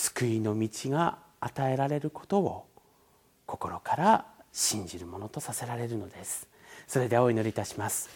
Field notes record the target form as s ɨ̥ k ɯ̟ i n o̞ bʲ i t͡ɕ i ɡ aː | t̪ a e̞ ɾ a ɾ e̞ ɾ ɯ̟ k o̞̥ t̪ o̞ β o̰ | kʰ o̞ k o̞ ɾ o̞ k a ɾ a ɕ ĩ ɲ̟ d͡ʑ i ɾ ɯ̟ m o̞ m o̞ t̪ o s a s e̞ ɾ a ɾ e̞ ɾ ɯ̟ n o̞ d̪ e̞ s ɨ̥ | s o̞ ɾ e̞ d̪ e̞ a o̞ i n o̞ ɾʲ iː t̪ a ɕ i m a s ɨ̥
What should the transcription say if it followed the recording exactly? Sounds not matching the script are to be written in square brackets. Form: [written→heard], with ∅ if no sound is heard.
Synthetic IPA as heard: s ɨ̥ k ɯ̟ i n o̞ [bʲ→mʲ] i t͡ɕ i ɡ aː | t̪ a e̞ ɾ a ɾ e̞ ɾ ɯ̟ k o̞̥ t̪ o̞ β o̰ | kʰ o̞ k o̞ ɾ o̞ k a ɾ a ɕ ĩ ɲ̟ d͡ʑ i ɾ ɯ̟ m o̞ [m→n] o̞ t̪ o s a s e̞ ɾ a ɾ e̞ ɾ ɯ̟ n o̞ d̪ e̞ s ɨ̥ | s o̞ ɾ e̞ d̪ e̞ a o̞ i n o̞ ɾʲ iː t̪ a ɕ i m a s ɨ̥